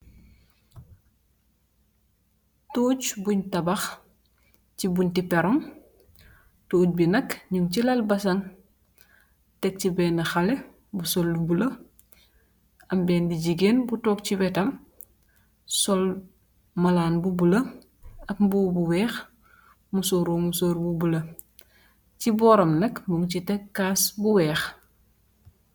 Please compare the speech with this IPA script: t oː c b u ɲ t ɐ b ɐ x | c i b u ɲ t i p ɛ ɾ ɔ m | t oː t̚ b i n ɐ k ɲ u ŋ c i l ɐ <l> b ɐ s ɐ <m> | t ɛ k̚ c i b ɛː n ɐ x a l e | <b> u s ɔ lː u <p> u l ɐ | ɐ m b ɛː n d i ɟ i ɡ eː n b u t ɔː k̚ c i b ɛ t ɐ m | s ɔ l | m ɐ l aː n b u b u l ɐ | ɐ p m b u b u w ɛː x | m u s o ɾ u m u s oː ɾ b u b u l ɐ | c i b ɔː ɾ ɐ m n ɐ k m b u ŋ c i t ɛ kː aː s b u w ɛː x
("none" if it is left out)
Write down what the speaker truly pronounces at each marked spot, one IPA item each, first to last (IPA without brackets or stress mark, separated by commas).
l, ŋ, b, b